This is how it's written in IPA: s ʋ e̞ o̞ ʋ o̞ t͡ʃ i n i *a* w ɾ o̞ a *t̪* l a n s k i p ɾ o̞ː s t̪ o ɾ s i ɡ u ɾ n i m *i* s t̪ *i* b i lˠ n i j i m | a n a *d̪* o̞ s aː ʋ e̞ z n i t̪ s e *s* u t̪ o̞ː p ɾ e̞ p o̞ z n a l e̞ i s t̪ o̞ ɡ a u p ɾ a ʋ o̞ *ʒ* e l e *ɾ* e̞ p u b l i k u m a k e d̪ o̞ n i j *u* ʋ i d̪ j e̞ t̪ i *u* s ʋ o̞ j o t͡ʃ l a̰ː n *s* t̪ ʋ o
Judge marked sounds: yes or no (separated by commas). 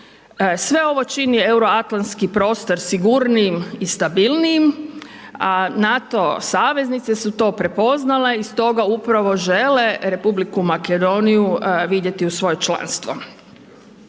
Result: no, yes, yes, no, no, yes, yes, yes, yes, yes, yes